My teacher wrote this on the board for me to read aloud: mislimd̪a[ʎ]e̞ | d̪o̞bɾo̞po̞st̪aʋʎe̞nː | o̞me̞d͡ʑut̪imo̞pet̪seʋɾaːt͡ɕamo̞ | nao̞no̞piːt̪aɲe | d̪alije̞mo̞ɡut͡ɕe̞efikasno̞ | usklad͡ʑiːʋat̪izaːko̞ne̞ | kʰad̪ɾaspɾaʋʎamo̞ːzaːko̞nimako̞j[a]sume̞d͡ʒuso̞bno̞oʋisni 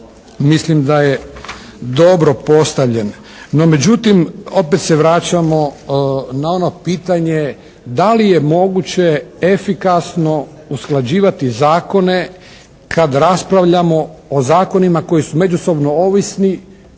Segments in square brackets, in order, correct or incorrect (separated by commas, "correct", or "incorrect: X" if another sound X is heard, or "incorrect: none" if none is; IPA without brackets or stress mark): incorrect: j, incorrect: i